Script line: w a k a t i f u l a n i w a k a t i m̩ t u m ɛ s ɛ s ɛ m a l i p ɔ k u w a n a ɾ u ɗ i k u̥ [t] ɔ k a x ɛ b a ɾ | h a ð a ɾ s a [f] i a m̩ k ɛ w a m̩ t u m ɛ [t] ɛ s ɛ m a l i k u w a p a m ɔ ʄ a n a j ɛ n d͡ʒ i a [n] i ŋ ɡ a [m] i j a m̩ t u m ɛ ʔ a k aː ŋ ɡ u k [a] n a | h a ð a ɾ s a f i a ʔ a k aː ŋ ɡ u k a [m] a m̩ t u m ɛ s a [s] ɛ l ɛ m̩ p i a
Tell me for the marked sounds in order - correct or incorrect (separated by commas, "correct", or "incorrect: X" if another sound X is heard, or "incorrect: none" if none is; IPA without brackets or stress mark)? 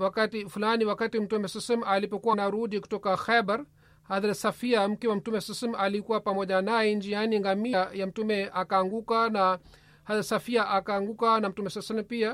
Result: correct, correct, incorrect: s, correct, correct, correct, incorrect: n, correct